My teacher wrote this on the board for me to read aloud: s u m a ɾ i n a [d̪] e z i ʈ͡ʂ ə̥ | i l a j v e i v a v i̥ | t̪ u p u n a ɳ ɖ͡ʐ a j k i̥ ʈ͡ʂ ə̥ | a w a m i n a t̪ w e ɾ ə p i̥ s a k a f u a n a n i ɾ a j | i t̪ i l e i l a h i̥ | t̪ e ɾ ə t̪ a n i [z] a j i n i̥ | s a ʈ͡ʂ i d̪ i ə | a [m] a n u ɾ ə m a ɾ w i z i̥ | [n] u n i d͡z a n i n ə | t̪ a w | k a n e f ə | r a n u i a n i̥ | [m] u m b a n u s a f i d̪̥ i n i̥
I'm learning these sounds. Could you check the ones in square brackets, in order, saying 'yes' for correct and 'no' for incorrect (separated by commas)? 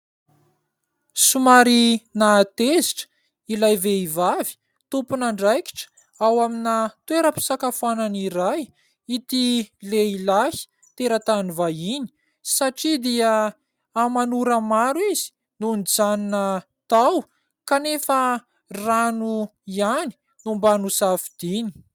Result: no, no, yes, yes, no